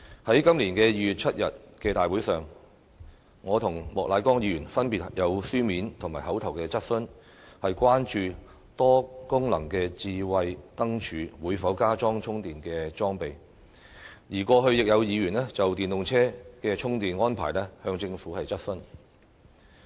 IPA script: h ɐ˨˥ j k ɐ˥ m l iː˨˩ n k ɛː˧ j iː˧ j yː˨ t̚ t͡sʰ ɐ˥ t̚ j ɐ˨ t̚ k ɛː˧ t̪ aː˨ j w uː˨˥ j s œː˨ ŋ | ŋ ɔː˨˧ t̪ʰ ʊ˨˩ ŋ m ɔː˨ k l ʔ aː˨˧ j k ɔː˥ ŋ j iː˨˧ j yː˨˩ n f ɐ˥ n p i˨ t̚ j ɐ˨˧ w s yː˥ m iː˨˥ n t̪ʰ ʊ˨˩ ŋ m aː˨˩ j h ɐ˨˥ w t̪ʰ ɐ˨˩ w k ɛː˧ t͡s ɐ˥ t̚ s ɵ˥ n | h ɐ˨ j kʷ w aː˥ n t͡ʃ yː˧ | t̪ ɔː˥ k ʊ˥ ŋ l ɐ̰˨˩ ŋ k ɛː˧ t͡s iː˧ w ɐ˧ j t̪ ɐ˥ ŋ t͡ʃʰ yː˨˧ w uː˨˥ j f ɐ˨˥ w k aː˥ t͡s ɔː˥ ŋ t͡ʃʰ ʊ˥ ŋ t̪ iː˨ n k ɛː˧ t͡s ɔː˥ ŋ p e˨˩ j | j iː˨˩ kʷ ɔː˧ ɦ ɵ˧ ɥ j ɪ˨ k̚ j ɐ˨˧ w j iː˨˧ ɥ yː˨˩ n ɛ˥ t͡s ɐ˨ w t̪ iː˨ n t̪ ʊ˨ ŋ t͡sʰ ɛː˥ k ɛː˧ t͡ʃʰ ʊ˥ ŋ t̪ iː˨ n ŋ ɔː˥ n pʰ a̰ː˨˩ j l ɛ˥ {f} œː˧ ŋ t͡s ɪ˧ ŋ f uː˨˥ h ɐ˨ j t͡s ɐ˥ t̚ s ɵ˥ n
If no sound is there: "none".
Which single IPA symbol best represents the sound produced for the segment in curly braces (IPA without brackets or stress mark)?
h